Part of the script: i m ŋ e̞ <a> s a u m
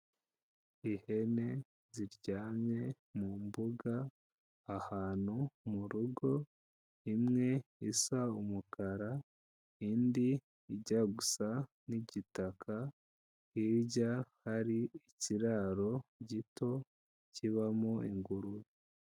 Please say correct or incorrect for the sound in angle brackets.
incorrect